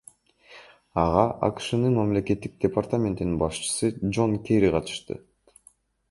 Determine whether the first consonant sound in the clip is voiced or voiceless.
voiced